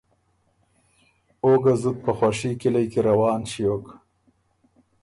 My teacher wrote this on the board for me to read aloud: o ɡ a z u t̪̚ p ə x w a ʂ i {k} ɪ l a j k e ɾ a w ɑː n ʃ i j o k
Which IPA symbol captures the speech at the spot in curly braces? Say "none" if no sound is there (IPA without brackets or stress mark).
k